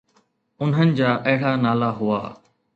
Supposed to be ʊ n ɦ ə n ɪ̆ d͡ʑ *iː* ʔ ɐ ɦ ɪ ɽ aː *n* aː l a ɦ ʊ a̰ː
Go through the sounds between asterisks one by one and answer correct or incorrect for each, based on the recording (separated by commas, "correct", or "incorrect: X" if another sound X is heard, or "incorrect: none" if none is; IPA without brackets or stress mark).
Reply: incorrect: aː, correct